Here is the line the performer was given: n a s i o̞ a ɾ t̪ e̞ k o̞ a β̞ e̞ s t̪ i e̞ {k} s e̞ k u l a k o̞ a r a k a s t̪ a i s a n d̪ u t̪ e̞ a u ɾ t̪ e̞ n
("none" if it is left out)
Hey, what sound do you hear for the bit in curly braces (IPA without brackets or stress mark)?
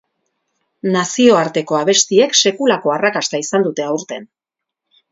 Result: k